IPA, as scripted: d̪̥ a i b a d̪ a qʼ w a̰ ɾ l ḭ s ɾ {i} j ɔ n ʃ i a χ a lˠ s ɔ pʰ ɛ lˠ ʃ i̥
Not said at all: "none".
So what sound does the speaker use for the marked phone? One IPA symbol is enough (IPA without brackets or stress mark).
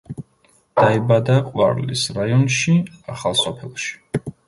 a